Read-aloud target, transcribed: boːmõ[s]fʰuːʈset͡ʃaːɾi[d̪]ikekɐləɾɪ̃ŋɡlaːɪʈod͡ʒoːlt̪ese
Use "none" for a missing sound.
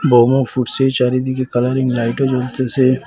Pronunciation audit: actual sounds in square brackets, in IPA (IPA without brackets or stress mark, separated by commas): none, d̪